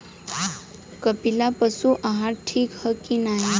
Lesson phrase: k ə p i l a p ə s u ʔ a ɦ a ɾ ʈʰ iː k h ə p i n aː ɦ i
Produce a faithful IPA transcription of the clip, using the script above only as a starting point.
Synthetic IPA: k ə p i l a p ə s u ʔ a ɦ a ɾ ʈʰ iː k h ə k i n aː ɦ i